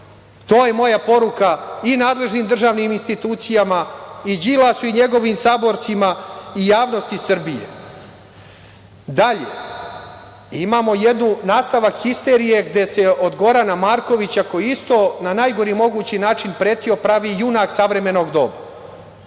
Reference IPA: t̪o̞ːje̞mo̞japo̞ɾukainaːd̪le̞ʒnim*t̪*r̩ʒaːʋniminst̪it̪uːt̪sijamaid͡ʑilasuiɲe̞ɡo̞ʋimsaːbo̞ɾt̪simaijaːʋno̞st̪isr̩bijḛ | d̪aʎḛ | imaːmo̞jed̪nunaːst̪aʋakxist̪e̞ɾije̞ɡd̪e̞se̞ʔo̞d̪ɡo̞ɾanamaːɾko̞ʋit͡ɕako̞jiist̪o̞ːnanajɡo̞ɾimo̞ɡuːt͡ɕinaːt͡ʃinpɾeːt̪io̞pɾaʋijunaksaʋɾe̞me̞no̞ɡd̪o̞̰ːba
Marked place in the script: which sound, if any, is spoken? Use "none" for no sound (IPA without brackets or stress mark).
d̪